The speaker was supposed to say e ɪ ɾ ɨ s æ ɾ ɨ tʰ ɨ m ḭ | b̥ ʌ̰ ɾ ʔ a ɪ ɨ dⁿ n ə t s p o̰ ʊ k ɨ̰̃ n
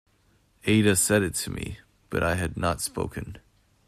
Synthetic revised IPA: e ɪ ɾ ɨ s ɛ ɾ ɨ tʰ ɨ m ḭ | b̥ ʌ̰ ɾ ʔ a ɪ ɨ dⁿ n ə t s p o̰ ʊ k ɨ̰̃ n

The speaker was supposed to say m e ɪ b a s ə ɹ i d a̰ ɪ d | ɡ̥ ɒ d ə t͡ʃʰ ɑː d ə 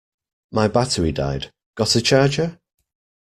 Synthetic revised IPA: m a ɪ b a t ə ɹ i d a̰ ɪ d | ɡ̥ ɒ t ə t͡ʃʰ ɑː d͡ʒ ə

